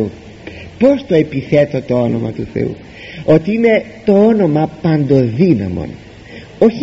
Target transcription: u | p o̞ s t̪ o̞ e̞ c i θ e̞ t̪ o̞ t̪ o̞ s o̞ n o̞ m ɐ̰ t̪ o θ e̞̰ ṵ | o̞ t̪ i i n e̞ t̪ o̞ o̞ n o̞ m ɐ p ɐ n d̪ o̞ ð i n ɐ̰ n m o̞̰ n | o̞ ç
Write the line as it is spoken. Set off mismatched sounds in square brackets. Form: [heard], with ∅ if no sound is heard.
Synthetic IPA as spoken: u | p o̞ s t̪ o̞ e̞ [p] i θ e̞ t̪ o̞ t̪ o̞ [∅] o̞ n o̞ m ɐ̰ t̪ [u] θ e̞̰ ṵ | o̞ t̪ i i n e̞ t̪ o̞ o̞ n o̞ m ɐ p ɐ n d̪ o̞ ð i n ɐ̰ [∅] m o̞̰ n | o̞ ç